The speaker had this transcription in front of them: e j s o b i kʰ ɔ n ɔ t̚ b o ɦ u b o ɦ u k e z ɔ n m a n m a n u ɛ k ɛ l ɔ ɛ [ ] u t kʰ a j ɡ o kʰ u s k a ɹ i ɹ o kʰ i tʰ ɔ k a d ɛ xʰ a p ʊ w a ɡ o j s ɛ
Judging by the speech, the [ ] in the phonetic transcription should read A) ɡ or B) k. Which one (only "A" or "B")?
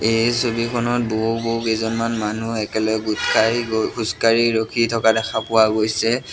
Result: A